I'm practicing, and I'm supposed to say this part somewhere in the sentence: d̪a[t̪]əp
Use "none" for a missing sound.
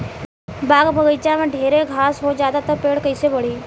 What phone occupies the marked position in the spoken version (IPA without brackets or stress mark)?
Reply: t̪